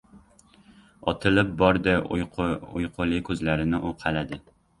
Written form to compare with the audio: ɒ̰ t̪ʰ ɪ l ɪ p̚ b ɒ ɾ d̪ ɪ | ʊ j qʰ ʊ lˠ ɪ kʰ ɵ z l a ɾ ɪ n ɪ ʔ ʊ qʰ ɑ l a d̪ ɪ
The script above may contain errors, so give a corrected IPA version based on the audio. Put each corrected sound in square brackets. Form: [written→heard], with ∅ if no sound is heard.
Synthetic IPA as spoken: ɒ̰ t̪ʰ ɪ l ɪ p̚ b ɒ ɾ d̪ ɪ | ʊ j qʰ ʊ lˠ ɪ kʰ ɵ z l a ɾ ɪ n ɪ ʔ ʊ qʰ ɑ l a d̪ ɪ